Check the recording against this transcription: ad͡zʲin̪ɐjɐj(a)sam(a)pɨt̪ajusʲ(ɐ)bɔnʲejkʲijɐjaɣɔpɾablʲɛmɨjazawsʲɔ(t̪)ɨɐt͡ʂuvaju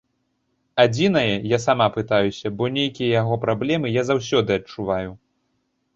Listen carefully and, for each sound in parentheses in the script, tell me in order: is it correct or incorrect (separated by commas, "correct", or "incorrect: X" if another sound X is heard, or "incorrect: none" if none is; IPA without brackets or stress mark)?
correct, correct, correct, incorrect: d̪